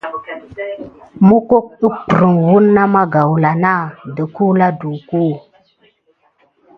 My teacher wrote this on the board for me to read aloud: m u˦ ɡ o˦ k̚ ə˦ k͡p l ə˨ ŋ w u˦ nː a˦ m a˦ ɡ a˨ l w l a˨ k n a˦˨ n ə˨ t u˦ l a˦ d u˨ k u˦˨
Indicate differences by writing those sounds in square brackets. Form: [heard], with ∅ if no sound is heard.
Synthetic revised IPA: m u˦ [k] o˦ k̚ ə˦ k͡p [ɾ] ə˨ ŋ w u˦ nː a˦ m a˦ ɡ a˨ [∅] w l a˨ [∅] n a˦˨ [d] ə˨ [k] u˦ l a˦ d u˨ k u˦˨

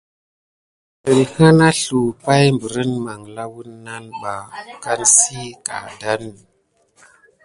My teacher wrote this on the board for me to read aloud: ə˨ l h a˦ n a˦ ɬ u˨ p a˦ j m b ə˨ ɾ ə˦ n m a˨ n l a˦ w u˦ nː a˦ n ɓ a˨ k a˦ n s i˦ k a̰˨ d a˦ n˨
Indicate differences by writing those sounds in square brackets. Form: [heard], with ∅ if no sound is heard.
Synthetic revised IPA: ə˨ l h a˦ n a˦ ɬ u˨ p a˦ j m b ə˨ ɾ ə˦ n m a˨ [ŋ] l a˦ w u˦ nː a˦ n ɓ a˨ k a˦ n s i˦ k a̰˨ d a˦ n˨

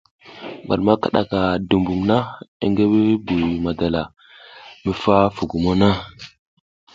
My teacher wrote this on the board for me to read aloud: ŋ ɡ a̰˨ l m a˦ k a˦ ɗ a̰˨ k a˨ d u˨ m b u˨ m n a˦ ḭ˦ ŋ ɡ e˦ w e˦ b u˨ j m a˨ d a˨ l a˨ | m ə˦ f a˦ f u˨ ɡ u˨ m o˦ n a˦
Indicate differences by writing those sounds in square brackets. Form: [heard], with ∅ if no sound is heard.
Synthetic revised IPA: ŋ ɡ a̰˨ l m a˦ k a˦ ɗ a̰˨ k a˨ d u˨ m b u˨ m n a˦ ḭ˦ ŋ ɡ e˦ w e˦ b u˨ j m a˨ d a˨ l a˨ | m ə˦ f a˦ f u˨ ɡ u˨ m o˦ n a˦

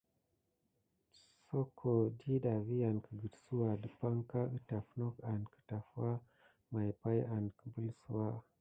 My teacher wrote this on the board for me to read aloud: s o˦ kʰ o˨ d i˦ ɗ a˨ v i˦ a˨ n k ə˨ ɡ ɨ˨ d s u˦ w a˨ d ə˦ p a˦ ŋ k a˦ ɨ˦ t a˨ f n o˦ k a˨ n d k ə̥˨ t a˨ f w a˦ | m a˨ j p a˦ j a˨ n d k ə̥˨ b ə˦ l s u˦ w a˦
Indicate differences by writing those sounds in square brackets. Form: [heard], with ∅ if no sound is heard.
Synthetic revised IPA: s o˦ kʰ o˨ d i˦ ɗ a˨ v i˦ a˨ n k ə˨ ɡ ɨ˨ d s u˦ w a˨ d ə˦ p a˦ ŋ k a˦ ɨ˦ t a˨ f n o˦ k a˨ n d k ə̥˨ t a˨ f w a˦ | m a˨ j p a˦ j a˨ n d k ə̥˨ b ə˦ l s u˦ w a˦

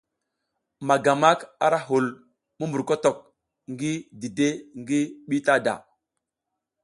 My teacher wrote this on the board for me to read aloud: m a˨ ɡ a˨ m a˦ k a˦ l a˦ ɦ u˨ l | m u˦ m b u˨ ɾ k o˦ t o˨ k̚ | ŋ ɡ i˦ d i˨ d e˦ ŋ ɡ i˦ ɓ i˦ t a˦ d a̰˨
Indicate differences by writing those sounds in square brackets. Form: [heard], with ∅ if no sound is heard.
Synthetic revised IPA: m a˨ ɡ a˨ m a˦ k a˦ [ɾ] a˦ ɦ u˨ l | m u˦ m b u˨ ɾ k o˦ t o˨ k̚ | ŋ ɡ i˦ d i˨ d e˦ ŋ ɡ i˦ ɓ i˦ t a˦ d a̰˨

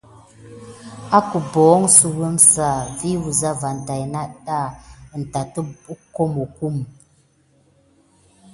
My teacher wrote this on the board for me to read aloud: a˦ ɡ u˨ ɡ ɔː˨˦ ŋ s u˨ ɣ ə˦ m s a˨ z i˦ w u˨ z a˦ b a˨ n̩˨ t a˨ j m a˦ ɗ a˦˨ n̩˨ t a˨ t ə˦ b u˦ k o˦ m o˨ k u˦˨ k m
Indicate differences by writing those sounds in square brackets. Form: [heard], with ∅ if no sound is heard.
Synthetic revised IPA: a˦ [k] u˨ [b] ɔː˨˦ ŋ s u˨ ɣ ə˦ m s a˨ [v] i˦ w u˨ z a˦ [v] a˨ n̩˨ t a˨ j [n] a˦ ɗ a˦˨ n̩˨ t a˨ t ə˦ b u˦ k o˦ m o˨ k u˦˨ [∅] m

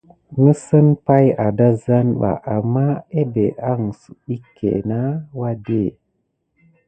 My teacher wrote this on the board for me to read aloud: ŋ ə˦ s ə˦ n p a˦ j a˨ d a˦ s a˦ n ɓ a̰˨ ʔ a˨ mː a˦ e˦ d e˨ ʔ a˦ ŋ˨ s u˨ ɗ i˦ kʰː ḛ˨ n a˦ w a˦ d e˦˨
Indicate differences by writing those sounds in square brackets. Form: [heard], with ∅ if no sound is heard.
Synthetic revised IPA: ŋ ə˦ s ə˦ n p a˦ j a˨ d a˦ [z] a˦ n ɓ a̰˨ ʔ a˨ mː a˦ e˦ [b] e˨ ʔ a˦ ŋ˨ s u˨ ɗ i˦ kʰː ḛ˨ n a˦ w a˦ d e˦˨

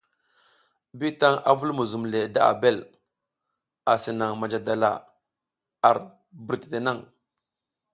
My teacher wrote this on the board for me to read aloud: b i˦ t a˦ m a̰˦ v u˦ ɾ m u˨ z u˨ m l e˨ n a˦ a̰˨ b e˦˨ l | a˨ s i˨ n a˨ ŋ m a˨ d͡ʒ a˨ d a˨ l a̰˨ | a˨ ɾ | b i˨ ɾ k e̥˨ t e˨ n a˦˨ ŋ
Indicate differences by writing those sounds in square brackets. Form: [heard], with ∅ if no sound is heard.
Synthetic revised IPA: b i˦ t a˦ [ŋ] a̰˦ v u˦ [l] m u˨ z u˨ m l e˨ [d] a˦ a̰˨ b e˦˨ l | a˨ s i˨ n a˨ ŋ m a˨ d͡ʒ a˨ d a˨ l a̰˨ | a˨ ɾ | b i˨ ɾ [t] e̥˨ t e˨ n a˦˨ ŋ

